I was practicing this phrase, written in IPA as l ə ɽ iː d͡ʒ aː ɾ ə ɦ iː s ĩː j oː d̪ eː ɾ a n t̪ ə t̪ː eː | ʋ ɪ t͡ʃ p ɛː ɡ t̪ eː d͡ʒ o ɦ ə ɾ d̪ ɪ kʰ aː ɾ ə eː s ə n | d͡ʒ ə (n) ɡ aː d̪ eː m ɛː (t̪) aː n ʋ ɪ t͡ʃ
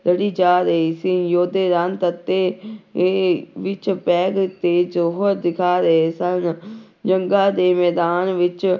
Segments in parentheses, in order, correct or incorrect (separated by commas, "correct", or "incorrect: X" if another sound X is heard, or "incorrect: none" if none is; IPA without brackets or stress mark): incorrect: ŋ, incorrect: d̪